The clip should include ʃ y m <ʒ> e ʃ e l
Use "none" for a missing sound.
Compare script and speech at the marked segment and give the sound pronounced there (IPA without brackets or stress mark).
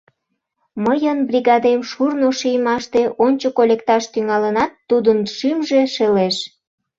ʒ